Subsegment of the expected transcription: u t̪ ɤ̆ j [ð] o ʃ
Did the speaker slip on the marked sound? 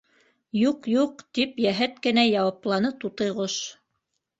yes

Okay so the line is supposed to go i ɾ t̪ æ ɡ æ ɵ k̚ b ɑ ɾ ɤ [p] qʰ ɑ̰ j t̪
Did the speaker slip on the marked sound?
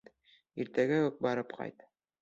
no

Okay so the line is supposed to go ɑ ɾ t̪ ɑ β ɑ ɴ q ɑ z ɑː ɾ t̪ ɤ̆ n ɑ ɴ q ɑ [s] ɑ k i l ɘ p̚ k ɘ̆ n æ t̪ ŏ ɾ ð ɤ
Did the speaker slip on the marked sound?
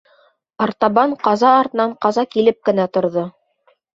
yes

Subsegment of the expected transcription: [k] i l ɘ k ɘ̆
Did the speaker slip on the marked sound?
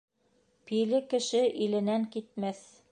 yes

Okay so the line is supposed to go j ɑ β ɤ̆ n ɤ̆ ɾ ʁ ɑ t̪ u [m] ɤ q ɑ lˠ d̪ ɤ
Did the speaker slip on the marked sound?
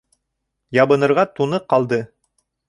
yes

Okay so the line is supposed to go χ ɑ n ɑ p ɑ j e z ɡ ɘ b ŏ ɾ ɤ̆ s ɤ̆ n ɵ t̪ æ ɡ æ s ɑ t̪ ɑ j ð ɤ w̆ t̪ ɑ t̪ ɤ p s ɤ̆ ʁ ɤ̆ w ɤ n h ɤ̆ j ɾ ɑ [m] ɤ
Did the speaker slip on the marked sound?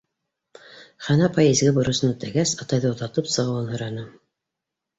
yes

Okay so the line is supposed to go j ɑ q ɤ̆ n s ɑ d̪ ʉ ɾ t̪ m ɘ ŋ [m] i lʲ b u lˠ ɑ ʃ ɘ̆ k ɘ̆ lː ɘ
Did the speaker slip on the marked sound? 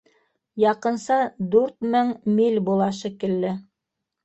no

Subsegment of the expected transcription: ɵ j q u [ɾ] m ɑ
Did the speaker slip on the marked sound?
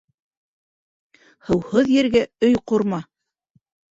no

